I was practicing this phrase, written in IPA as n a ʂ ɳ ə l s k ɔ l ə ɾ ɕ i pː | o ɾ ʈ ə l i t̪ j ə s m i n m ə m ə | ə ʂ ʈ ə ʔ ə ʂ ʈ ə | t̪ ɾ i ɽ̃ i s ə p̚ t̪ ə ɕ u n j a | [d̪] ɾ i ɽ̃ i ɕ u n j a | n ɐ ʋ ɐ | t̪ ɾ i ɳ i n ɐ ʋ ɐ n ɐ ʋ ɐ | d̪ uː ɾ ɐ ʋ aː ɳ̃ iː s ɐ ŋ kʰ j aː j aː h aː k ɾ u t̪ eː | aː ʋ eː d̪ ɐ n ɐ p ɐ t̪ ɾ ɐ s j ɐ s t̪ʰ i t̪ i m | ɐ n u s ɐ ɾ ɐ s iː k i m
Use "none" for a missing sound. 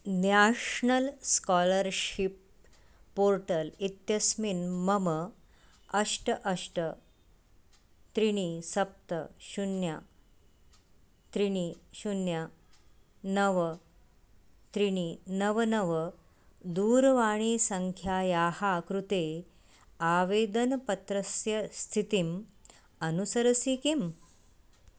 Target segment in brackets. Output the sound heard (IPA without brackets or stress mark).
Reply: t̪